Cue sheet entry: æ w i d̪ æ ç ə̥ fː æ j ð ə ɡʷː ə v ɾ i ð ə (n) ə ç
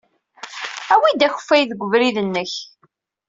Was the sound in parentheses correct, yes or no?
no